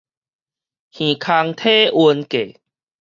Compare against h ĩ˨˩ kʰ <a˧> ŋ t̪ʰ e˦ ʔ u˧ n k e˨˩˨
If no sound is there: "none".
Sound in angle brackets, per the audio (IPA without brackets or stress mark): a˧